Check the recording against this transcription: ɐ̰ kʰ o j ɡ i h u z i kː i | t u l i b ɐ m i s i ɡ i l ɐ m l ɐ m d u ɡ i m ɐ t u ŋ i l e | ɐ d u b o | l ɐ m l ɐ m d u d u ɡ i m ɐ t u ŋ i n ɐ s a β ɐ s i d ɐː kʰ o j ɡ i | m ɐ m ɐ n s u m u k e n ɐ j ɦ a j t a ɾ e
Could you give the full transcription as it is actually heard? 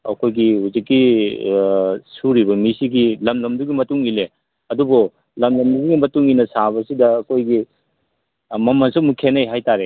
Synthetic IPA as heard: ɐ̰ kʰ o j ɡ i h u z i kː i | s u ɾ i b ɐ m i s i ɡ i l ɐ m l ɐ m d u ɡ i m ɐ t u ŋ i l e | ɐ d u b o | l ɐ m l ɐ m d u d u ɡ i m ɐ t u ŋ i n ɐ s a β ɐ s i d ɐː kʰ o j ɡ i | m ɐ m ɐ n s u m u kʰ e n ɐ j ɦ a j t a ɾ e